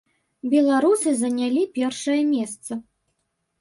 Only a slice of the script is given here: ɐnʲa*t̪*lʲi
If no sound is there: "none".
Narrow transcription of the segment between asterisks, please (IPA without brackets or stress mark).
none